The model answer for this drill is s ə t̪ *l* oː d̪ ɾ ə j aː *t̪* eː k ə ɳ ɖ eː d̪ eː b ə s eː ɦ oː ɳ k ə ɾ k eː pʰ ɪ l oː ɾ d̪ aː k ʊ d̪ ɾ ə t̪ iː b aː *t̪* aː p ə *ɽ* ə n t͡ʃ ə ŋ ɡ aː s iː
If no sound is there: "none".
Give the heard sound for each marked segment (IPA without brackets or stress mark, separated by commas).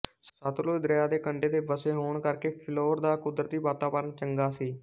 l, d̪, t̪, ɾ